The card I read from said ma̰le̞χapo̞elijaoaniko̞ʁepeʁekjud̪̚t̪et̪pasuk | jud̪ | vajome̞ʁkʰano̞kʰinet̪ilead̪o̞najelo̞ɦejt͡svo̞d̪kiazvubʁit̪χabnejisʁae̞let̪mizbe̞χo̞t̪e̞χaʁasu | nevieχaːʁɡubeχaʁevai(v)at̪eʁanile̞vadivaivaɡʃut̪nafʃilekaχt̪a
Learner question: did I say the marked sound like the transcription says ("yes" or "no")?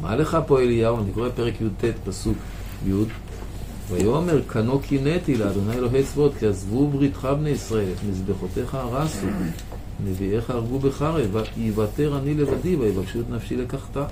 yes